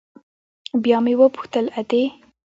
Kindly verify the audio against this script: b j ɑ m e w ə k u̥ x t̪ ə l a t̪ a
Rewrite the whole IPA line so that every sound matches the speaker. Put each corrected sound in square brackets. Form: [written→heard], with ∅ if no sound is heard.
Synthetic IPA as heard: b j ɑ m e w ə [k→p] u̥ x t̪ ə l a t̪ [a→e]